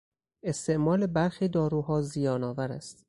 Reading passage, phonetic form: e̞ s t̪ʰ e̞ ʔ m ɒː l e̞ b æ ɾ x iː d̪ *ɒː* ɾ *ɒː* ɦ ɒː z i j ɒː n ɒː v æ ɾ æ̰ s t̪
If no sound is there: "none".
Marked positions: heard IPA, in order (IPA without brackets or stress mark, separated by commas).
ɒː, uː